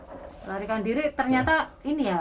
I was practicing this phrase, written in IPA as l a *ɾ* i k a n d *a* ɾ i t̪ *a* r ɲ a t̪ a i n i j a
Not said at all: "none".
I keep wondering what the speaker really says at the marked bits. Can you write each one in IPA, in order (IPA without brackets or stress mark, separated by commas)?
ɾ, i, ə